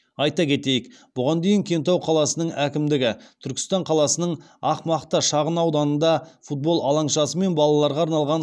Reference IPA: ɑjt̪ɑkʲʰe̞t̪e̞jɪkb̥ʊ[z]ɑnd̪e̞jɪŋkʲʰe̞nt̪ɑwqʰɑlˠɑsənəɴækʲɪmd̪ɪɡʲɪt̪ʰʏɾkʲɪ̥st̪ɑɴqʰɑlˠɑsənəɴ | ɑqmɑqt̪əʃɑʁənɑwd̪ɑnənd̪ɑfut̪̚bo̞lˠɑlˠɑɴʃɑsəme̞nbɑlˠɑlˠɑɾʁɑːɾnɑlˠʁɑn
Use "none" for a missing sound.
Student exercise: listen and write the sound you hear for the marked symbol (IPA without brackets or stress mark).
ʁ